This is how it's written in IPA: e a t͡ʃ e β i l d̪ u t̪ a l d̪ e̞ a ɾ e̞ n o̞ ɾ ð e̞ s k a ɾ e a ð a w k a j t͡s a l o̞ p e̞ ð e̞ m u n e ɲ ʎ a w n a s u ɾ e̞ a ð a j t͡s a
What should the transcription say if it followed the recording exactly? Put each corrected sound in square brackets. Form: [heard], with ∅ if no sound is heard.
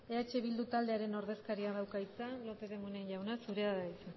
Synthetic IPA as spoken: e a t͡ʃ e β i l d̪ u t̪ a l d̪ e̞ a ɾ e̞ n o̞ ɾ ð e̞ s k a ɾ [i] a ð a w k a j t͡s a l o̞ p e̞ ð e̞ m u n e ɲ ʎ a w n a s u ɾ e̞ a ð a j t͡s a

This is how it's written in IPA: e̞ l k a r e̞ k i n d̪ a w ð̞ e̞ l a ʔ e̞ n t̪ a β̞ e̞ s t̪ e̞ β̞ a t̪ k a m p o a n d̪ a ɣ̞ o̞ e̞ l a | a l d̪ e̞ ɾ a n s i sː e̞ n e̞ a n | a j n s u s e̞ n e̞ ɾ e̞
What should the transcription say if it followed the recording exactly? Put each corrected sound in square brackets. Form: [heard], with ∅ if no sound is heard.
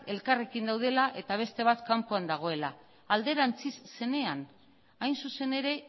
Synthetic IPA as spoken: e̞ l k a r e̞ k i n d̪ a w ð̞ e̞ l a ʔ e̞ [∅] t̪ a β̞ e̞ s t̪ e̞ β̞ a t̪ k a m p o a n d̪ a ɣ̞ o̞ e̞ l a | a l d̪ e̞ ɾ a n [t͡s] i sː e̞ n e̞ a n | a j n s u s e̞ n e̞ ɾ e̞

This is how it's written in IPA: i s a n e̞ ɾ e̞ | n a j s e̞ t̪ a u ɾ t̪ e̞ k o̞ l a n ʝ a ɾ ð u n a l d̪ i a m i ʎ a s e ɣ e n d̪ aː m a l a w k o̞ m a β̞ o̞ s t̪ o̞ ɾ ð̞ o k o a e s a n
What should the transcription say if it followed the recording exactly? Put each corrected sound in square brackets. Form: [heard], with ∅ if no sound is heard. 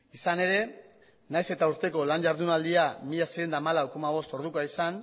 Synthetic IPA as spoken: i s a n e̞ ɾ e̞ | n a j s e̞ t̪ a u ɾ t̪ e̞ k o̞ l a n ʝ a ɾ ð u n a l d̪ i a m i ʎ a s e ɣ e n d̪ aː m a l a w k o̞ m a β̞ o̞ s t̪ o̞ ɾ ð̞ [u] k o a [i] s a n

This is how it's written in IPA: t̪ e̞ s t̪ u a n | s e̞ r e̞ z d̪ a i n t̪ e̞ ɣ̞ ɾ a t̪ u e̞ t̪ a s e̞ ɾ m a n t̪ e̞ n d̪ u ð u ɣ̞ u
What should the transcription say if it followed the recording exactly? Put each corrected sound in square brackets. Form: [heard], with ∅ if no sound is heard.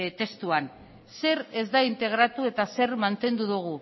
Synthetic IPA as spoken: t̪ e̞ s t̪ u a n | s e̞ [ɾ] e̞ z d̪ a i n t̪ e̞ ɣ̞ ɾ a t̪ u e̞ t̪ a s e̞ ɾ m a n t̪ e̞ n d̪ u ð u ɣ̞ u

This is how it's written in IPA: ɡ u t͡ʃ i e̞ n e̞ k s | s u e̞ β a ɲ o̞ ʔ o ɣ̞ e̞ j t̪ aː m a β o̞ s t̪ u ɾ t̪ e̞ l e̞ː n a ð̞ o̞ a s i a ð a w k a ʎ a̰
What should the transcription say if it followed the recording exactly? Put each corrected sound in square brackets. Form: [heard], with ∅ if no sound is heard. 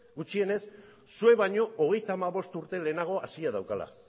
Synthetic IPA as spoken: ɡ u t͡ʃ i e̞ n e̞ [∅] s | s u e̞ β a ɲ o̞ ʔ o ɣ̞ e̞ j t̪ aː m a β o̞ s t̪ u ɾ t̪ e̞ l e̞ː n a [ɣ̞] o̞ a s i a ð a w k a [l] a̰

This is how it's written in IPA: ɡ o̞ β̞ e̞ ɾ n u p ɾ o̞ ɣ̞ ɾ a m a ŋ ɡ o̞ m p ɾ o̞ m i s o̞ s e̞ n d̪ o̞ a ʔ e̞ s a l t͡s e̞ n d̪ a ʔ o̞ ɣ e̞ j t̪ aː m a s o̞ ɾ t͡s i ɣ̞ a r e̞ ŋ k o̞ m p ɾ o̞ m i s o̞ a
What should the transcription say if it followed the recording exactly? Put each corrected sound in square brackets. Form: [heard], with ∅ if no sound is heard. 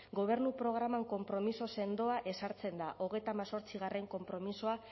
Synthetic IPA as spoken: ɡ o̞ β̞ e̞ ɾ n u p ɾ o̞ ɣ̞ ɾ a m a ŋ [k] o̞ m p ɾ o̞ m i s o̞ s e̞ n d̪ o̞ a ʔ e̞ s a [ɾ] t͡s e̞ n d̪ a ʔ o̞ ɣ e̞ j t̪ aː m a s o̞ ɾ t͡s i ɣ̞ a r e̞ ŋ k o̞ m p ɾ o̞ m i s o̞ a

